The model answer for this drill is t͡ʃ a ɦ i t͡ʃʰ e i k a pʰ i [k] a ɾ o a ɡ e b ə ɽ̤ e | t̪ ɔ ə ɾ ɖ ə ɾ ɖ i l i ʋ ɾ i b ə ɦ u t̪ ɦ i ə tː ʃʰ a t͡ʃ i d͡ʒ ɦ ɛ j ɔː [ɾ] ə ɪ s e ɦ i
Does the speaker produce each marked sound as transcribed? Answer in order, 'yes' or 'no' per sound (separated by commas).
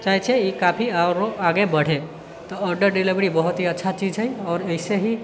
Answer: no, yes